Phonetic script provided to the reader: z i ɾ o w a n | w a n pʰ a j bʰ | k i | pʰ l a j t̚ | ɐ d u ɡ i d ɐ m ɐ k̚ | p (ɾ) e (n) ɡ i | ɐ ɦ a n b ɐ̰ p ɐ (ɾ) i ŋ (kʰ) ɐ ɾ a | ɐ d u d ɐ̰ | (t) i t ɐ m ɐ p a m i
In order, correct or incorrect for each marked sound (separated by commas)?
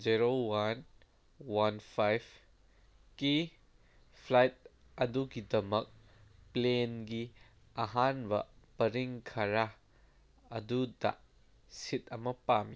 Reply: incorrect, correct, correct, correct, incorrect